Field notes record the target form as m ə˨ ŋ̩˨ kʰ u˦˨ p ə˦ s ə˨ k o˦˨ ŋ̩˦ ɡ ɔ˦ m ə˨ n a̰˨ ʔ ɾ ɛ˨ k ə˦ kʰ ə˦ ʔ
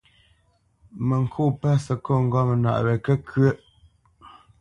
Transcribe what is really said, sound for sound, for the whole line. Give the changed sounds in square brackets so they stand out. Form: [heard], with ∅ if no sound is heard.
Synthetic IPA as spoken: m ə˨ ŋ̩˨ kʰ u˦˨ p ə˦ s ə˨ k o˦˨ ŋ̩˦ ɡ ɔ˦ m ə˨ n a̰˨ ʔ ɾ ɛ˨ k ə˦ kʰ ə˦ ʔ